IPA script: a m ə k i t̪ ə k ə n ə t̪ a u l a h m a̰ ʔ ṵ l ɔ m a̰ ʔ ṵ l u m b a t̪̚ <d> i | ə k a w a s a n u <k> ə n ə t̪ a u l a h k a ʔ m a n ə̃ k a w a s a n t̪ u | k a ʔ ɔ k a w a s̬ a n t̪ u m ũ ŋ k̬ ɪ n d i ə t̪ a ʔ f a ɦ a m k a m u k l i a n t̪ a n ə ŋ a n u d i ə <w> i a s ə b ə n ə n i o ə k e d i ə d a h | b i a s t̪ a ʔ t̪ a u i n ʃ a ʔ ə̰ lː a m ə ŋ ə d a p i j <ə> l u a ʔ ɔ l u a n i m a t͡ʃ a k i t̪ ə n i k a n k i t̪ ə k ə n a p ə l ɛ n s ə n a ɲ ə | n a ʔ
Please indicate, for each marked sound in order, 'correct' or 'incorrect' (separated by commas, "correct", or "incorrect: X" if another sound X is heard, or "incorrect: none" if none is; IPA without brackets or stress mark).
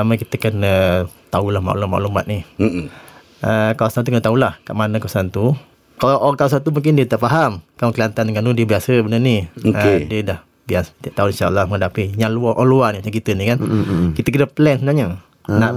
incorrect: n, correct, incorrect: b, incorrect: a